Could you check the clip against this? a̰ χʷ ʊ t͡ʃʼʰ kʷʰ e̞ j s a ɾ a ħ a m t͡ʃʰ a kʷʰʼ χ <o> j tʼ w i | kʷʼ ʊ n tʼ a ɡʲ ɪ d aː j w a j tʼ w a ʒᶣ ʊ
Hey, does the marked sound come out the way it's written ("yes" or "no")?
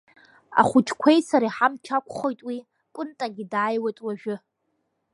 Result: yes